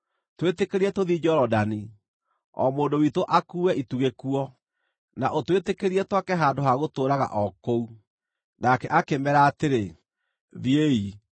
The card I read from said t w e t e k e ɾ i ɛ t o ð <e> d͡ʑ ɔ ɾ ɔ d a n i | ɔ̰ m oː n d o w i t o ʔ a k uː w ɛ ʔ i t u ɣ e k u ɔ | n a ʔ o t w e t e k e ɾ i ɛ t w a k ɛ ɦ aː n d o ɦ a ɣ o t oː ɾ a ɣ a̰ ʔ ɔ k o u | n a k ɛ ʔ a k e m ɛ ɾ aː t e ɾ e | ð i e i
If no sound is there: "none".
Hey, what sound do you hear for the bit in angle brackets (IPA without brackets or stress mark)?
i